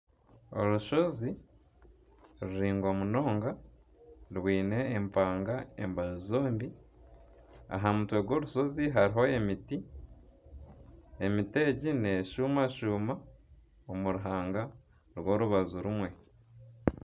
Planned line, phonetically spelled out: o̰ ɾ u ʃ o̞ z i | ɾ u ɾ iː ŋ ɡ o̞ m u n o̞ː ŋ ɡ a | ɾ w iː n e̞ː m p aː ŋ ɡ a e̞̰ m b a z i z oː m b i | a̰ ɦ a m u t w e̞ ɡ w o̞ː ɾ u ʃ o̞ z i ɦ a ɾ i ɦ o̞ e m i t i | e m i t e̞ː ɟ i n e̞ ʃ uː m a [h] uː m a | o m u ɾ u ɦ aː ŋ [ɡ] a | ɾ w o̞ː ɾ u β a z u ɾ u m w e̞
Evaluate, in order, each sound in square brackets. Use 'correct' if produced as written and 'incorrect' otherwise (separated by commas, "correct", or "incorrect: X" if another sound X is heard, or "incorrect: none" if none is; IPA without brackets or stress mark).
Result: incorrect: ʃ, correct